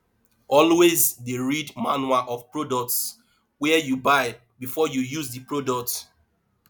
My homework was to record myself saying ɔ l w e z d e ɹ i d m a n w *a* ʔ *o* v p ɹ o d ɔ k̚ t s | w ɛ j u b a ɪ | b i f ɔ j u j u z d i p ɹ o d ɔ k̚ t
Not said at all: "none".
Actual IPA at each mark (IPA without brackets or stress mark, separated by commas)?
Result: a, ɔ